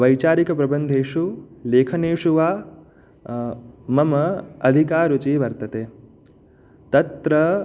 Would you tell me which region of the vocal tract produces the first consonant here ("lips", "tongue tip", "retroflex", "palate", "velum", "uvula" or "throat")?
lips